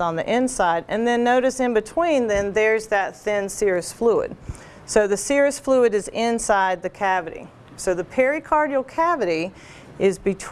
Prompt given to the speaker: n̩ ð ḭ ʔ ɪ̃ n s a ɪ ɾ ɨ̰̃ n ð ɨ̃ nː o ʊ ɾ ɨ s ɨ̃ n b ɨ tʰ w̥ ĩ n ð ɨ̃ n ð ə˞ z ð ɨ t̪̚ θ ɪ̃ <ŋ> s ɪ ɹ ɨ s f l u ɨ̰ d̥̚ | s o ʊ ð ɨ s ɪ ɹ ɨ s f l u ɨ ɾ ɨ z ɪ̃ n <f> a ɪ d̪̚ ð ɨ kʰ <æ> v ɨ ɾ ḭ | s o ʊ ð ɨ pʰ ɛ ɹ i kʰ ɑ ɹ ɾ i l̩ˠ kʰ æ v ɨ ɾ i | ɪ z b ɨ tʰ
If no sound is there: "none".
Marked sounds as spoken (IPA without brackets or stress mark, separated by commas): n, s, æ